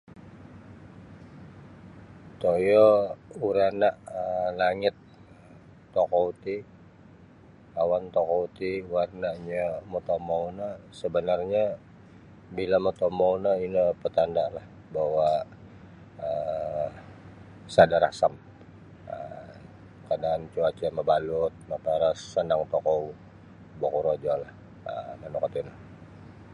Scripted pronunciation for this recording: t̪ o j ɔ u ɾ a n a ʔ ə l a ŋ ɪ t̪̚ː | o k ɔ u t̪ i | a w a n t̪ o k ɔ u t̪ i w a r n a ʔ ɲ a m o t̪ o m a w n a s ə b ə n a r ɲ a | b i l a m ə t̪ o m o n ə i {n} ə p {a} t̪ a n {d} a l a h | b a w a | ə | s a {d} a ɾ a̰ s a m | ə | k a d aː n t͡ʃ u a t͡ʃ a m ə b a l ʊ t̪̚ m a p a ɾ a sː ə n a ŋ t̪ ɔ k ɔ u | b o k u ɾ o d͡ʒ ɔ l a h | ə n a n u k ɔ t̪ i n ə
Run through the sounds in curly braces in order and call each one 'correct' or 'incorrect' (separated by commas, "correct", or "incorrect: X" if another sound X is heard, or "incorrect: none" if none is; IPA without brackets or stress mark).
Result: correct, incorrect: ə, correct, correct